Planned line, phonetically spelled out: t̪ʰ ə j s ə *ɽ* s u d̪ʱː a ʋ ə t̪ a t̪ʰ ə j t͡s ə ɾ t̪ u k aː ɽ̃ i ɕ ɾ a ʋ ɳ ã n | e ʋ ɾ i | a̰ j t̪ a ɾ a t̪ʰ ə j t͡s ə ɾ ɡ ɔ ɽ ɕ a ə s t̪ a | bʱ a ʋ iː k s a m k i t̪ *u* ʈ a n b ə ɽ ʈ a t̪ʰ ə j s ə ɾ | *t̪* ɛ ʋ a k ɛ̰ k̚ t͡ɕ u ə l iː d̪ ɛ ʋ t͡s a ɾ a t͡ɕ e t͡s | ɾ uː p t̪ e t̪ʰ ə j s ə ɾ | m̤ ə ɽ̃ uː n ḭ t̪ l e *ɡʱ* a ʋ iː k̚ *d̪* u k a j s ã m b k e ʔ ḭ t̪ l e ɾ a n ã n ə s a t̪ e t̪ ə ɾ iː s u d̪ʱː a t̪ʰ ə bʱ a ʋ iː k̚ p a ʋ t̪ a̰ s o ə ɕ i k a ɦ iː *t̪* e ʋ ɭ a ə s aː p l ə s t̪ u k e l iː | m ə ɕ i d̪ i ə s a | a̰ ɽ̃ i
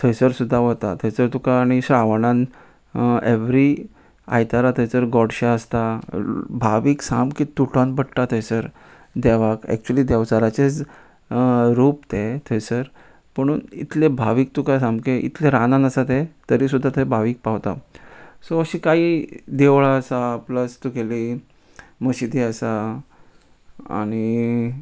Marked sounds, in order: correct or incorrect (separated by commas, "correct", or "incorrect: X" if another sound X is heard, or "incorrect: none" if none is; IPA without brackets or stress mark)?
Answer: incorrect: ɾ, correct, incorrect: d̪, incorrect: bʱ, incorrect: t̪, incorrect: d̪